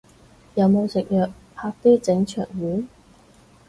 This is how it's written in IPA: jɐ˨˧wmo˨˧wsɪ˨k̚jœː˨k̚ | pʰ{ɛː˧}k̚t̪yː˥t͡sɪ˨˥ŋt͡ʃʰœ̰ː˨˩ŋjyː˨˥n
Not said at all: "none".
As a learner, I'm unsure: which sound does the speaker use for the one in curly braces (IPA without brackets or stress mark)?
aː˧